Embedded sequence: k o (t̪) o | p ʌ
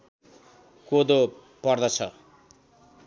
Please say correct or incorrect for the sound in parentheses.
incorrect